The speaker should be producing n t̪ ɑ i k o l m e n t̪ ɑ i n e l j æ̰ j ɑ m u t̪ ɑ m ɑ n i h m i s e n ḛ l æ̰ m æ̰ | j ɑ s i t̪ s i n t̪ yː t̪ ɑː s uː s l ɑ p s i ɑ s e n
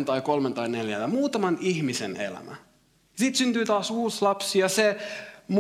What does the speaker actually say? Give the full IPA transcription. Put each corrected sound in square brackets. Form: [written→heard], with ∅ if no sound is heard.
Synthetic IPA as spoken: n t̪ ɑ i k o l m e n t̪ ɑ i n e l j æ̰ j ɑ m [u→uː] t̪ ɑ m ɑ n i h m i s e n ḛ l æ̰ m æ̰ | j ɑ s i t̪ s [i→y] n t̪ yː t̪ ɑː s uː s l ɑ p s i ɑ s e [n→m]